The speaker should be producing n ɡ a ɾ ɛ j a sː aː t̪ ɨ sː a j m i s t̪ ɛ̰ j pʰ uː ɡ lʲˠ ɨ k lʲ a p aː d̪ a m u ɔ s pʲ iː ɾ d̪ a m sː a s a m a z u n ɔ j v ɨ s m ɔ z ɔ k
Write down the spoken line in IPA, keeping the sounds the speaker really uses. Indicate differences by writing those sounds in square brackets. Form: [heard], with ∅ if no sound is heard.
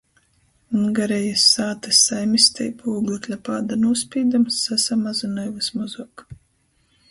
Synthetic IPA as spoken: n ɡ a ɾ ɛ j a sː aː t̪ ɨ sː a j m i s t̪ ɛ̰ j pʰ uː ɡ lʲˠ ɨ k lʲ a p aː d̪ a [n] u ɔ s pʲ iː [∅] d̪ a m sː a s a m a z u n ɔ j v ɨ s m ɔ z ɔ k